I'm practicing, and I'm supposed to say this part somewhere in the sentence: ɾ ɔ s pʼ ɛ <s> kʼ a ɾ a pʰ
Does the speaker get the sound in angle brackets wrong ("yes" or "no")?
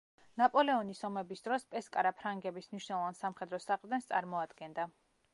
no